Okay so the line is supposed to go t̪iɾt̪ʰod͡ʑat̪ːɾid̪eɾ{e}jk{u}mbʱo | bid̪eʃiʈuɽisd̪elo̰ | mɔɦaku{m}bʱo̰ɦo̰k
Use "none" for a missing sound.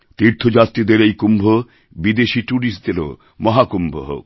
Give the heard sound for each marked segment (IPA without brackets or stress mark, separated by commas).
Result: e, u, m